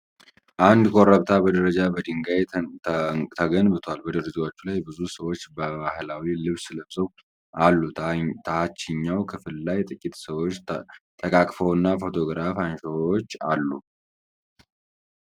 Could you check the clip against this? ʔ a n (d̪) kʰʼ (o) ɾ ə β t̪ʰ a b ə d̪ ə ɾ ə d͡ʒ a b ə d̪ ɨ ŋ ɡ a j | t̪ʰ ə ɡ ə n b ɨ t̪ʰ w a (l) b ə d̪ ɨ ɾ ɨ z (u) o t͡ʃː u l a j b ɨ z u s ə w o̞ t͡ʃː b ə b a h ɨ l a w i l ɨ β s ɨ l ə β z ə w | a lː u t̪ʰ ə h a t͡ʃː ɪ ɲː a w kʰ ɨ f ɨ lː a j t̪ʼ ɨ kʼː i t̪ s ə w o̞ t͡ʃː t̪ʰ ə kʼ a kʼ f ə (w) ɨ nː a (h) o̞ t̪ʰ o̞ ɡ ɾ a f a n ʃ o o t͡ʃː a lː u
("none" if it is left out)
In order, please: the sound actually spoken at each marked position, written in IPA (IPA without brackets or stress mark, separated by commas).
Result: d̪, o, l, w, w, f